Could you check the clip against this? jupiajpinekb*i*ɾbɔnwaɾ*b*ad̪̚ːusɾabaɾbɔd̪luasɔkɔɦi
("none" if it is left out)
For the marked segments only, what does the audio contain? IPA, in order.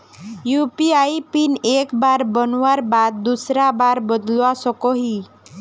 a, b

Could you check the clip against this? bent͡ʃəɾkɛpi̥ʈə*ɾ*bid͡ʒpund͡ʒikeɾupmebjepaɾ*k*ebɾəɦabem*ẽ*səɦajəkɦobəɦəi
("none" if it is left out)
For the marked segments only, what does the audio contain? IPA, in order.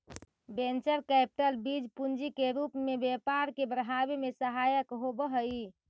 l, k, e

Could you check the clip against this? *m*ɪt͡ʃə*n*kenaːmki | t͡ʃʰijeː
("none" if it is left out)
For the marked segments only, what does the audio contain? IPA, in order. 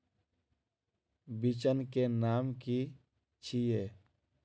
b, n

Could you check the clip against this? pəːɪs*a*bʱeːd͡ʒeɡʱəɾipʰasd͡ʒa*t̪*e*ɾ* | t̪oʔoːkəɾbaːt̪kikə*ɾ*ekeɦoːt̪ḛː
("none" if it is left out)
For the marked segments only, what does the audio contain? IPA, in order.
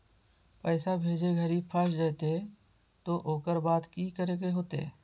a, t̪, none, ɾ

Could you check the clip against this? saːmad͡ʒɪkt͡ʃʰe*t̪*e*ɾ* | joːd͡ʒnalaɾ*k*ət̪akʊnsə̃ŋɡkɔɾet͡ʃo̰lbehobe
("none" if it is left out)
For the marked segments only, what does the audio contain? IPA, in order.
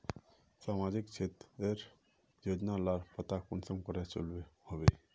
t̪, ɾ, p

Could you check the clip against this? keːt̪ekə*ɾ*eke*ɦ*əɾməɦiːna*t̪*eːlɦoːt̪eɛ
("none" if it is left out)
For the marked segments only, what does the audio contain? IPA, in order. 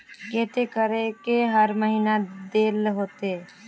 ɾ, ɦ, d̪

